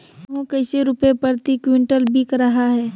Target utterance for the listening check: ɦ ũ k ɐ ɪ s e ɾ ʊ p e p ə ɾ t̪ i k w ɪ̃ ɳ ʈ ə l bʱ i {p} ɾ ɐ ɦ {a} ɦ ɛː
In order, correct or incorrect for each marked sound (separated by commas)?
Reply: incorrect, correct